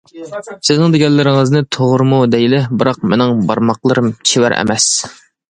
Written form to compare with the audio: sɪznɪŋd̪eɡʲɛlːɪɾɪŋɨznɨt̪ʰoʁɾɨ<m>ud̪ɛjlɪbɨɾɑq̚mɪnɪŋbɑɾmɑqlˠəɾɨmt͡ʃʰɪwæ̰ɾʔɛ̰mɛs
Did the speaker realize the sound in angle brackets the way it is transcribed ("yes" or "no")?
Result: yes